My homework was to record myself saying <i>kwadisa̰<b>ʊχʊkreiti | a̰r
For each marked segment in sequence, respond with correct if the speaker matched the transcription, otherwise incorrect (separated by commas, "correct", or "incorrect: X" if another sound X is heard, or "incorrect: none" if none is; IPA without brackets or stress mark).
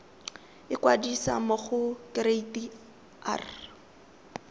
incorrect: ɪ, incorrect: m